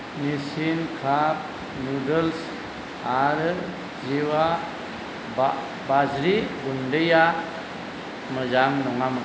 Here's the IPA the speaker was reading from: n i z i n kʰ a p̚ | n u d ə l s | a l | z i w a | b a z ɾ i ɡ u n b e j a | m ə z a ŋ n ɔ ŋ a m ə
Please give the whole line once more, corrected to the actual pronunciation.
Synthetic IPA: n i s i n kʰ a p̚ | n u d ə l s | a ɾ | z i w a | b a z ɾ i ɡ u n d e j a | m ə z a ŋ n ɔ ŋ a m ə